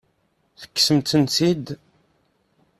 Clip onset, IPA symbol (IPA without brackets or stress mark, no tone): θ